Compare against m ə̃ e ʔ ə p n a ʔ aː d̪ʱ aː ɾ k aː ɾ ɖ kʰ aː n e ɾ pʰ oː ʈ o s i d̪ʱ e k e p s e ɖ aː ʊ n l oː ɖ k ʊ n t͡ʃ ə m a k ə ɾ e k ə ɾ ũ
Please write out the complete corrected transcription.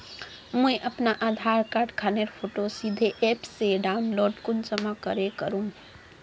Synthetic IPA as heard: m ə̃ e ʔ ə p n a ʔ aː d̪ʱ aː ɾ k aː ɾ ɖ kʰ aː n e ɾ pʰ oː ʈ o s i d̪ʱ e ʔ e p s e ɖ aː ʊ n l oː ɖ k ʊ n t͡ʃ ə m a k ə ɾ e k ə ɾ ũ